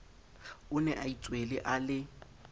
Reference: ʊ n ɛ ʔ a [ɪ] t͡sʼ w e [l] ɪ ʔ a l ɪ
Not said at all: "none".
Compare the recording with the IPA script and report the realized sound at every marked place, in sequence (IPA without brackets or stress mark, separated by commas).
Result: i, l